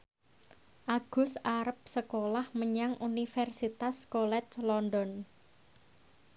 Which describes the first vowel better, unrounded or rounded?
unrounded